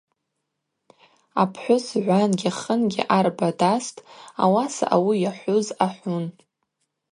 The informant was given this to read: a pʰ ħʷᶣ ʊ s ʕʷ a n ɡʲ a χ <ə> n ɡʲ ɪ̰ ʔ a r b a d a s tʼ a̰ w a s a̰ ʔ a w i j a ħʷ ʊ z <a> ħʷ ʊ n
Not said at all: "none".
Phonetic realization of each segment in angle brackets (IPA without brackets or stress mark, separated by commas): ə, a